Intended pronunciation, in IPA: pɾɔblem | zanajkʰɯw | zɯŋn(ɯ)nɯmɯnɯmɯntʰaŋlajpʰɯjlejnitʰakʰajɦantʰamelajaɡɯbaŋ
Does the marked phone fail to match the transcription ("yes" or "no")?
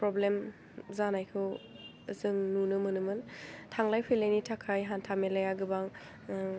yes